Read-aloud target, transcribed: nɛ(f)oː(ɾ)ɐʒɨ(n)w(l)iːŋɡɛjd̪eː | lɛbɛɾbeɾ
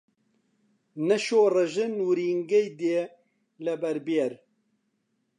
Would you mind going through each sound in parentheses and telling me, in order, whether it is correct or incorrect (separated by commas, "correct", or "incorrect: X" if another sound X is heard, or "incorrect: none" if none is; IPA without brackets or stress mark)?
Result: incorrect: ʃ, incorrect: r, correct, incorrect: ɾ